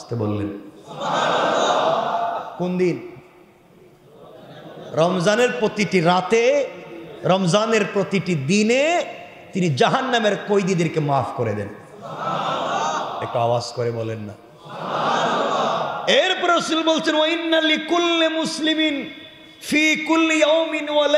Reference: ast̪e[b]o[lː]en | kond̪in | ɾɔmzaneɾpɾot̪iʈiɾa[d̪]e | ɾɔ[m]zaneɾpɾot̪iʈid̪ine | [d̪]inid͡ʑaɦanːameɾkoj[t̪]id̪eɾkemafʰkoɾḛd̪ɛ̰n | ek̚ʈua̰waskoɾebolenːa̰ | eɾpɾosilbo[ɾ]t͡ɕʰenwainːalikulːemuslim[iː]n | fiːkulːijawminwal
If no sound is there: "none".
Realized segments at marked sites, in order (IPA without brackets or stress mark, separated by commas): b, lː, t̪, m, t̪, d̪, l, i